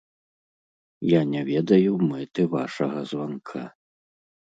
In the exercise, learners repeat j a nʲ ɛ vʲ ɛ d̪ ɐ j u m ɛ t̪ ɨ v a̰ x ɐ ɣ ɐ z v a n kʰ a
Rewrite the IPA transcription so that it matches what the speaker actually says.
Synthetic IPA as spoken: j a nʲ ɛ vʲ ɛ d̪ ɐ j u m ɛ t̪ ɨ v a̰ ʂ ɐ ɣ ɐ z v a n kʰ a